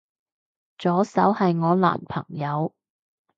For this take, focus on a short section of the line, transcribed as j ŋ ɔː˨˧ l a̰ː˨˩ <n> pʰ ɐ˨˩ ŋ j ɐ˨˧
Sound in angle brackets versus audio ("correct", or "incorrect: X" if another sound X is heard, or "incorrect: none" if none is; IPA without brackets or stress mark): correct